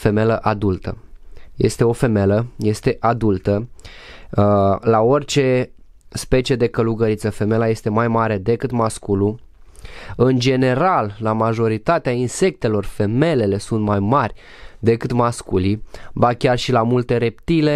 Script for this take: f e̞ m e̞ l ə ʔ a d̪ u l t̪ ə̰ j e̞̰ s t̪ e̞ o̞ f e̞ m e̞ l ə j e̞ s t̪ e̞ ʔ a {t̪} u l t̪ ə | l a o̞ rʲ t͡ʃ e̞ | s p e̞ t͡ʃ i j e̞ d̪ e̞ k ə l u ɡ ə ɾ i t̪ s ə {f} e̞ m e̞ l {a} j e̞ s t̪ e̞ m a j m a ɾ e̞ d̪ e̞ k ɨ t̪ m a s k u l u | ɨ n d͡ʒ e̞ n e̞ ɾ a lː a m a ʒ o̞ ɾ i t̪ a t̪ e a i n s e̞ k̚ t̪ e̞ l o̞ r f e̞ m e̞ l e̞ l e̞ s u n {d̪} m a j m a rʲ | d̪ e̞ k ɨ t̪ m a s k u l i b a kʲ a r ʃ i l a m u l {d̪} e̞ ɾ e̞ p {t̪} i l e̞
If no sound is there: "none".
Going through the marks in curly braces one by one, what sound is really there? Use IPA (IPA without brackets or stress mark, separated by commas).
d̪, f, a, t̪, t̪, t̪